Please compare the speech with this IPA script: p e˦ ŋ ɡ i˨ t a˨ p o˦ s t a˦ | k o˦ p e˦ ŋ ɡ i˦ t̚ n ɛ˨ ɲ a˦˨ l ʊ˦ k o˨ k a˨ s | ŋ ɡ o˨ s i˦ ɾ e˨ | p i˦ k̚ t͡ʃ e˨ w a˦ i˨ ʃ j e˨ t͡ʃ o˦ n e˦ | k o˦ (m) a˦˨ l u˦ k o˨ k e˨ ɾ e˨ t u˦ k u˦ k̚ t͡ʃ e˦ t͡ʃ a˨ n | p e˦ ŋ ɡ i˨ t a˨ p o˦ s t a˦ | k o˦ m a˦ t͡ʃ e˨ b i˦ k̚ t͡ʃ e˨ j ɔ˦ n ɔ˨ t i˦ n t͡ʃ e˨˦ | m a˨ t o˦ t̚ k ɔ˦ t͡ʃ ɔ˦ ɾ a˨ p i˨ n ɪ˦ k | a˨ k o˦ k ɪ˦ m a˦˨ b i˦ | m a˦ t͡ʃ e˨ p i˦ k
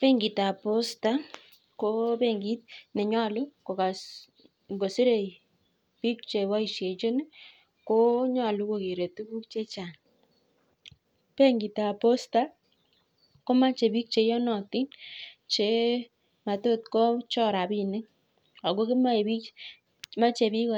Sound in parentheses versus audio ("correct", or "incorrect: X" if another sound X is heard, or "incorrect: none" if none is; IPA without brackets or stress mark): incorrect: ɲ